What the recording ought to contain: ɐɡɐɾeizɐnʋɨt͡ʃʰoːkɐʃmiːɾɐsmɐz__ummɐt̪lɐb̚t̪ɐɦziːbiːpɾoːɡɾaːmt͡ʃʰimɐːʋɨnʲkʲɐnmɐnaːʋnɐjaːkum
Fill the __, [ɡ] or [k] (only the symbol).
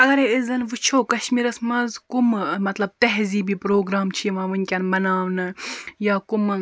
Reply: k